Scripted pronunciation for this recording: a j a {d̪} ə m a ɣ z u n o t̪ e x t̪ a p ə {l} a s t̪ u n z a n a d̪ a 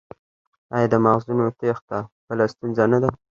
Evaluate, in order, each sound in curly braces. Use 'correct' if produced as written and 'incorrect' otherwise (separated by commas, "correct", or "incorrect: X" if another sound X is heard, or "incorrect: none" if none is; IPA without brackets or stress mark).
correct, correct